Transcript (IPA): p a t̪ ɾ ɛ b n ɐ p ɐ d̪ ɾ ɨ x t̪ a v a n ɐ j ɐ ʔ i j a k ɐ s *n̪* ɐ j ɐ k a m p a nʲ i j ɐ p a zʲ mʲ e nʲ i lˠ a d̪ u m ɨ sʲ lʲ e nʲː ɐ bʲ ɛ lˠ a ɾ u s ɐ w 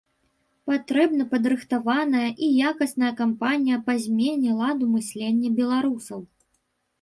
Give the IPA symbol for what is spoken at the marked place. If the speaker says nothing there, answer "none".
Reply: n̪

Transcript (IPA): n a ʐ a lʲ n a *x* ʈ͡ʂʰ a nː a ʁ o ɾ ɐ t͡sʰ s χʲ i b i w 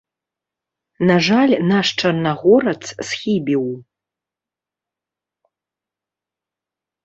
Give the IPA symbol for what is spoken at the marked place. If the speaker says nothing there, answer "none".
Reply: ʂ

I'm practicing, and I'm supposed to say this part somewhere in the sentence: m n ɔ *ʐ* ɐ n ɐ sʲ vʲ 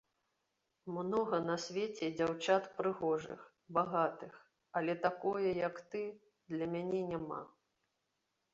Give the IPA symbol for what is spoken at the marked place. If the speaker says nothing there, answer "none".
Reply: ɣ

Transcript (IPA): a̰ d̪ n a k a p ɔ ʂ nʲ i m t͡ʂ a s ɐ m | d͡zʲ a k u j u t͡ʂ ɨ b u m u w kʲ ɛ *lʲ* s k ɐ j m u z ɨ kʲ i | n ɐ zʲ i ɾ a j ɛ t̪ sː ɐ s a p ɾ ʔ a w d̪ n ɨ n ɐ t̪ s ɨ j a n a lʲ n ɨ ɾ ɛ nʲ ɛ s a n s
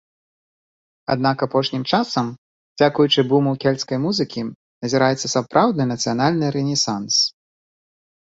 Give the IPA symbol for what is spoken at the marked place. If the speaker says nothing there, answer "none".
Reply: lʲ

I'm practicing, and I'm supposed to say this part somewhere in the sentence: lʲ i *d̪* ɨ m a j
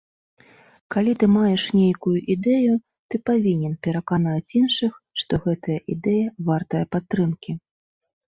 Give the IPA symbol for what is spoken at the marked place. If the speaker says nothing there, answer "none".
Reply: t̪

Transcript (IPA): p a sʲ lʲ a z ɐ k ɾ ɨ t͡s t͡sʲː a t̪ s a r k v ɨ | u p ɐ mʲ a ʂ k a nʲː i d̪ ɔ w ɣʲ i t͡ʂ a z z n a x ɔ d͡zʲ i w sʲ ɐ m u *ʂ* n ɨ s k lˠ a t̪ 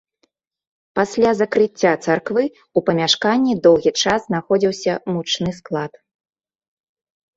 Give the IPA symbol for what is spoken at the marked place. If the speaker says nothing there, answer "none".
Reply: t͡ʂ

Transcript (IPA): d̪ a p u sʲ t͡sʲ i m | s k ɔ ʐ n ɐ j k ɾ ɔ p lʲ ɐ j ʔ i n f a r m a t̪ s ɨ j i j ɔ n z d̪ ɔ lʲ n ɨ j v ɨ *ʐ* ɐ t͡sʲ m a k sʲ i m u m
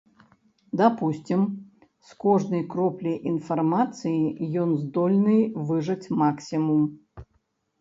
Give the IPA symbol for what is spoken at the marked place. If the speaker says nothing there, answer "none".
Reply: ʐ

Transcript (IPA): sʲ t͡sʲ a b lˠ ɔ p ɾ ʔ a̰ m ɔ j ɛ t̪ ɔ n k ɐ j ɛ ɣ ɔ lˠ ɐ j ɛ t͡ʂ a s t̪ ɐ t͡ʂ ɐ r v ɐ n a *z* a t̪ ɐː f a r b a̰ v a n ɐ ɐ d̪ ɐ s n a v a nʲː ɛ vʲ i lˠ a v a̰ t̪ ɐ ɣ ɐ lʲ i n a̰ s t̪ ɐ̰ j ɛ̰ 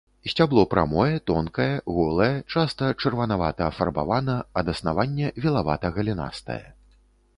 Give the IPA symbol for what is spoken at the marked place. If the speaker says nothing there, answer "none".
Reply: v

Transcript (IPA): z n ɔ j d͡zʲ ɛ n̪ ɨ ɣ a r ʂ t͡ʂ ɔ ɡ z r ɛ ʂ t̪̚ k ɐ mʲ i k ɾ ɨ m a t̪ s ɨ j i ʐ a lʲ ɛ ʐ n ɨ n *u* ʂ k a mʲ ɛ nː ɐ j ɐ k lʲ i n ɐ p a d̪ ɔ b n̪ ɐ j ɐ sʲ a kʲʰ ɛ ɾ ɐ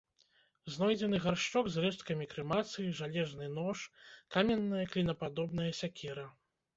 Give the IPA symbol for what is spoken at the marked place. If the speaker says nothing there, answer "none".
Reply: ɔ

